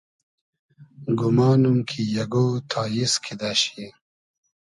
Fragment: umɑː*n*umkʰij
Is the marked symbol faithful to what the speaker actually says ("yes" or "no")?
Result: yes